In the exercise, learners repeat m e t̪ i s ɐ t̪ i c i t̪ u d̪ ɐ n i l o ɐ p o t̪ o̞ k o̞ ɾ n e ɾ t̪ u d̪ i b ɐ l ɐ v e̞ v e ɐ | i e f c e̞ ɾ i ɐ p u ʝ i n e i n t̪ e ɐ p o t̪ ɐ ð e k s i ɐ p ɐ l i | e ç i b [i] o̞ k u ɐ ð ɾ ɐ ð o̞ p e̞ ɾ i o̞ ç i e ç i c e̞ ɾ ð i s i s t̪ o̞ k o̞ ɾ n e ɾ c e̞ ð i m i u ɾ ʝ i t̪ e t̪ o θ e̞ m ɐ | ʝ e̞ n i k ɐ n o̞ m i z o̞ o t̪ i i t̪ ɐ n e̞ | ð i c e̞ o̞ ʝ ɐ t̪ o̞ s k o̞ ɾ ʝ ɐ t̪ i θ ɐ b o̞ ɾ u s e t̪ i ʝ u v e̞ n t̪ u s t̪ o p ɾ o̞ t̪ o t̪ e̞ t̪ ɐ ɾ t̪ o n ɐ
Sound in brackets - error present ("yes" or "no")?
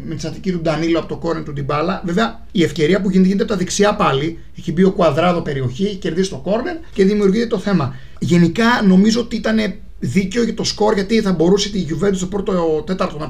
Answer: no